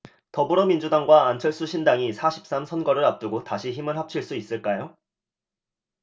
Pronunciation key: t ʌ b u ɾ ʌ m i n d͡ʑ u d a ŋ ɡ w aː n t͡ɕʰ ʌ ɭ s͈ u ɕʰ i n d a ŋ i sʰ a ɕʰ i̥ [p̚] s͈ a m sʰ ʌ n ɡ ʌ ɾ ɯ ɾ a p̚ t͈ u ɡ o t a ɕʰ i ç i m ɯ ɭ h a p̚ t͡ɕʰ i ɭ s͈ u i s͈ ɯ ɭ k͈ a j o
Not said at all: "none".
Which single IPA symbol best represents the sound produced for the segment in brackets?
p̚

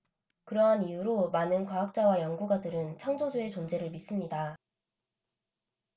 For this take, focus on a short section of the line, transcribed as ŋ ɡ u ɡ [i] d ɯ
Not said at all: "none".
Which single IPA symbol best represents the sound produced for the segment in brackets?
a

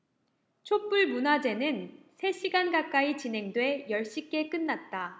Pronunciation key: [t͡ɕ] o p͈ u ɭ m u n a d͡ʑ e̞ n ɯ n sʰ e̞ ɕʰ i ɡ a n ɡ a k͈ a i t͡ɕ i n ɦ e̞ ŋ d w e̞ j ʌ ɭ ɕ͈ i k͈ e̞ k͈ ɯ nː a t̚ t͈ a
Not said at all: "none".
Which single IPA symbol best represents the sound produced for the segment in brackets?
t͡ɕʰ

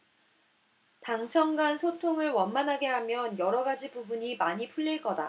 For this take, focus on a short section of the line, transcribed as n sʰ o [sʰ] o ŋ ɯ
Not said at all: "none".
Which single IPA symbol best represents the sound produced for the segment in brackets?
tʰ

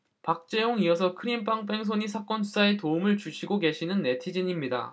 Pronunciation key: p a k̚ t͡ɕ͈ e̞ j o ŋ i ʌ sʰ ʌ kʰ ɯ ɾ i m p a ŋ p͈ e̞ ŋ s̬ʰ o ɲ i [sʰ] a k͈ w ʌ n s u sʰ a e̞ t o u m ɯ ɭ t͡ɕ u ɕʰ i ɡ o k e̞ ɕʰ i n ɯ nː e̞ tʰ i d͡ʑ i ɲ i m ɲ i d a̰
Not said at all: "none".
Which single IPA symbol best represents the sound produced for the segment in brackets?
sʰ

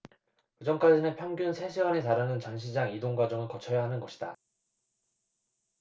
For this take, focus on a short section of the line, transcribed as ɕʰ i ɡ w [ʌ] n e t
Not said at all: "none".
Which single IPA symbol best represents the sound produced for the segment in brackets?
a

